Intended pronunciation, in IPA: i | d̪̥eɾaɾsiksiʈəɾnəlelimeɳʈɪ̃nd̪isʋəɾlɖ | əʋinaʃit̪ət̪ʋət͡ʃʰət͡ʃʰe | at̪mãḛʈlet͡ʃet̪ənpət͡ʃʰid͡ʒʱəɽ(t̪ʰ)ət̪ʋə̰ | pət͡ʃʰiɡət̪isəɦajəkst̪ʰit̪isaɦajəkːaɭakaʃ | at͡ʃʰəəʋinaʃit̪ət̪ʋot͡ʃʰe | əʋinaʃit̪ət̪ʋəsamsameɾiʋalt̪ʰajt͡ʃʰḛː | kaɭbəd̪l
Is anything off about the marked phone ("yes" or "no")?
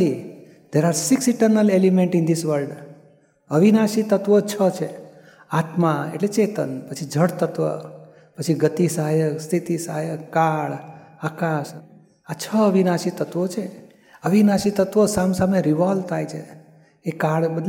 yes